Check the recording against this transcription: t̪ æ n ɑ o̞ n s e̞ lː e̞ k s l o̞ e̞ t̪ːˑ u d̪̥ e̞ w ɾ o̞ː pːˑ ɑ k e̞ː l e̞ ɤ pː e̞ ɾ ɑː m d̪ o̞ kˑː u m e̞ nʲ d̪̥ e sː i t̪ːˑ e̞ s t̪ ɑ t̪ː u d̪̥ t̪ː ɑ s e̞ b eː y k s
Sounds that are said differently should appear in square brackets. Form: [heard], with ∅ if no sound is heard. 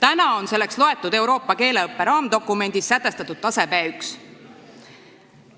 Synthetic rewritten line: t̪ æ n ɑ o̞ n s e̞ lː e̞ k s l o̞ e̞ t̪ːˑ u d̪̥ e̞ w ɾ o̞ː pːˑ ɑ k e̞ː l e̞ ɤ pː e̞ ɾ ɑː m d̪ o̞ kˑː u m e̞ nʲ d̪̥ [i] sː [æ] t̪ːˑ e̞ s t̪ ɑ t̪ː u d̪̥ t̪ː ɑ s e̞ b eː y k s